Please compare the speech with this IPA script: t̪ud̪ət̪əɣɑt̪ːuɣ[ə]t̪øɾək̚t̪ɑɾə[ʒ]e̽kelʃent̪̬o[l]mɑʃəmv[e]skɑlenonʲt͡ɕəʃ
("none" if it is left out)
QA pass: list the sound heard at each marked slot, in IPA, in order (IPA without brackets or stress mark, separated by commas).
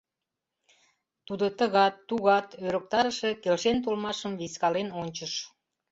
ɑ, ʃ, l, i